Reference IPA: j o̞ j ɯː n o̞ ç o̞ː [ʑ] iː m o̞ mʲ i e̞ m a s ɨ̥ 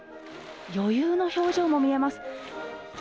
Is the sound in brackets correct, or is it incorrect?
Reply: correct